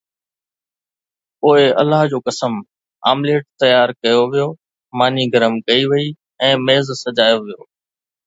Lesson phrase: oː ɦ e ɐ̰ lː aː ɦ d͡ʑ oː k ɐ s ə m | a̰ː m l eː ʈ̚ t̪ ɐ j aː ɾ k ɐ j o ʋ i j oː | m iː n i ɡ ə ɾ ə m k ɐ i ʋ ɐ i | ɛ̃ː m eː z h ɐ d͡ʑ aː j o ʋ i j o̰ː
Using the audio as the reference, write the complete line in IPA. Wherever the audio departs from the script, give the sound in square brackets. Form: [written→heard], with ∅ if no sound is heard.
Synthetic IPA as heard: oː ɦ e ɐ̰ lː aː ɦ d͡ʑ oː k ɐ s ə m | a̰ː m l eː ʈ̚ t̪ ɐ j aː ɾ k ɐ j o ʋ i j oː | m [iː→aː] n i ɡ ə ɾ ə m k ɐ i ʋ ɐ i | ɛ̃ː m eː z [h→s] ɐ d͡ʑ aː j o ʋ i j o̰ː